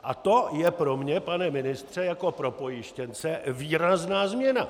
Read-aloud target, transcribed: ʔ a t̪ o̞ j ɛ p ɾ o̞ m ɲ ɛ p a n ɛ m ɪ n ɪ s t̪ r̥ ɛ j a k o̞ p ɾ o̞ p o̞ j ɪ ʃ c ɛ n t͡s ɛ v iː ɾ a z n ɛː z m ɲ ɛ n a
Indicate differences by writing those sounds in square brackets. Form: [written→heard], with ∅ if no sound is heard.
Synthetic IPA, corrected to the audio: ʔ a t̪ o̞ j ɛ p ɾ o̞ m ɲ ɛ p a n ɛ m ɪ n ɪ s t̪ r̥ ɛ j a k o̞ p ɾ o̞ p o̞ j ɪ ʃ c ɛ n t͡s ɛ v iː ɾ a z n [ɛː→aː] z m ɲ ɛ n a